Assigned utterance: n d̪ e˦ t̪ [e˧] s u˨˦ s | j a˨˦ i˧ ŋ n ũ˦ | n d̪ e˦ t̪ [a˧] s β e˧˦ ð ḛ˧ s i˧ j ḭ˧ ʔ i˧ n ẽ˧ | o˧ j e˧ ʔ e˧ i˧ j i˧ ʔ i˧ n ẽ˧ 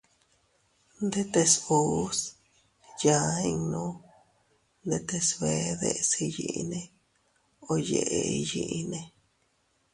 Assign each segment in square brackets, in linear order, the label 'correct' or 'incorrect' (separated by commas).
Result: correct, incorrect